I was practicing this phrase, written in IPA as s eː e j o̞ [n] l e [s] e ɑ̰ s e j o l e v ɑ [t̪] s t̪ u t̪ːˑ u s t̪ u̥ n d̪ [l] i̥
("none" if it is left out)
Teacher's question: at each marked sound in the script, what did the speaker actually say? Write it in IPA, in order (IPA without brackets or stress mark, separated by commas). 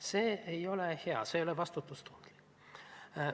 none, h, none, l